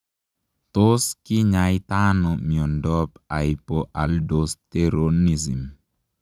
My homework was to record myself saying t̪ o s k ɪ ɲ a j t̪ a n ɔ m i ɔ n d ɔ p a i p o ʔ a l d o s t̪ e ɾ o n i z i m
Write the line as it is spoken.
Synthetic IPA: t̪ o s k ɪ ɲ a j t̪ a n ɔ m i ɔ n d ɔ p a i p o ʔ a l d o s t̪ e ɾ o n i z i m